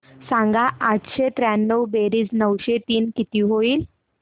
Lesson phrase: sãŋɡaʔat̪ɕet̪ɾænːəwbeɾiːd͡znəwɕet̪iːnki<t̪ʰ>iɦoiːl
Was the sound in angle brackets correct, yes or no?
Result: no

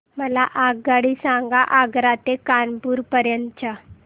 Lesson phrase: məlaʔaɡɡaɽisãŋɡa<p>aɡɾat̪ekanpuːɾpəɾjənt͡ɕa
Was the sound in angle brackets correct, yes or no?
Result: no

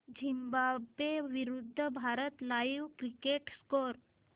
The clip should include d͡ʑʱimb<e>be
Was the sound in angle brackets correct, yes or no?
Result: no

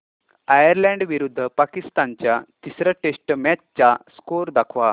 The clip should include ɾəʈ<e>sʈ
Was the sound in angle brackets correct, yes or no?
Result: yes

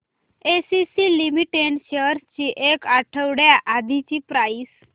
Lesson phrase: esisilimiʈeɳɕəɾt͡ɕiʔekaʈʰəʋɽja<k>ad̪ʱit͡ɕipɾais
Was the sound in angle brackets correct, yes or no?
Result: no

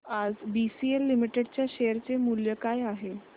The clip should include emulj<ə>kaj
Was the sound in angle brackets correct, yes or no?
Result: yes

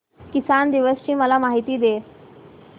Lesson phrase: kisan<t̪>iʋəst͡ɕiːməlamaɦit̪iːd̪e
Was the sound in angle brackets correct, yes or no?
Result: no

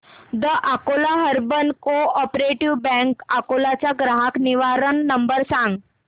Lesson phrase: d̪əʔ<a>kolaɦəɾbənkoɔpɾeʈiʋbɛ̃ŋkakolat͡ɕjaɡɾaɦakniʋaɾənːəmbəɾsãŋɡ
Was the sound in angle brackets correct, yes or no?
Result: yes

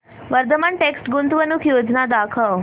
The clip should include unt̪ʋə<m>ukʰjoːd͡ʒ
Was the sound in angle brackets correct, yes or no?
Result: no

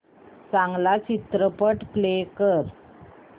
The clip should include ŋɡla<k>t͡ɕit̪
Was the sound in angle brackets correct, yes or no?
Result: no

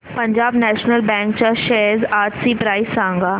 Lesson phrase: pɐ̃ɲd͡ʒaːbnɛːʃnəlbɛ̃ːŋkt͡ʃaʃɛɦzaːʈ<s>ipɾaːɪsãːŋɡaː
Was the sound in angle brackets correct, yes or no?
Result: yes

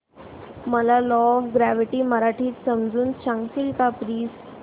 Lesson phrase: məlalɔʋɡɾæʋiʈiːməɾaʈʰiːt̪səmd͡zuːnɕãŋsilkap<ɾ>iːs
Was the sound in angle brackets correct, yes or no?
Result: yes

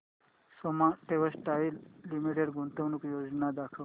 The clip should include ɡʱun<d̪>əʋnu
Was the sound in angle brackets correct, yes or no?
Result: no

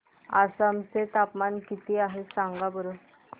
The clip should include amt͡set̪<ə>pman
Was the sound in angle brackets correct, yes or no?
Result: no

